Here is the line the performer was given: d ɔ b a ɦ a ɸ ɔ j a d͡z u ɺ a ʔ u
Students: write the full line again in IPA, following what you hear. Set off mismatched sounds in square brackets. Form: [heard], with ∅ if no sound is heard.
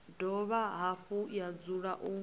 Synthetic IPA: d ɔ [β] a ɦ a ɸ [u] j a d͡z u ɺ a ʔ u